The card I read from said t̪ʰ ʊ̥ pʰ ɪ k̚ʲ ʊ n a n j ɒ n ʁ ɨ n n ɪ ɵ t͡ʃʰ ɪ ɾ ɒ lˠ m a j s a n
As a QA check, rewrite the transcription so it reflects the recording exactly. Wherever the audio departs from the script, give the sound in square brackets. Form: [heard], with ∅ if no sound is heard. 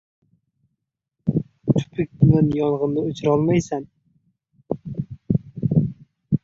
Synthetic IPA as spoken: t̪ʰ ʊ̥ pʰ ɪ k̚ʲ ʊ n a n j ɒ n ʁ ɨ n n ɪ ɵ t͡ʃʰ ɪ ɾ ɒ lˠ m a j s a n